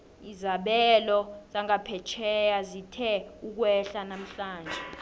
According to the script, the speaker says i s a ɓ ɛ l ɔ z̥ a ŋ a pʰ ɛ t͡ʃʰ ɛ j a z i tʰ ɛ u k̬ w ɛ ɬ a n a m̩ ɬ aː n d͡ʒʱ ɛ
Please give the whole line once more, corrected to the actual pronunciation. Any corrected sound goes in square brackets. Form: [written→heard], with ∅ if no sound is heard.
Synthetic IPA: i [s→z] a ɓ ɛ l ɔ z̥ a ŋ a pʰ ɛ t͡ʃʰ ɛ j a z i tʰ ɛ u k̬ w ɛ ɬ a n a m̩ ɬ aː n d͡ʒʱ ɛ